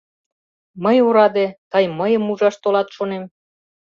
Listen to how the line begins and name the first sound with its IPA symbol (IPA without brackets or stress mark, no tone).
m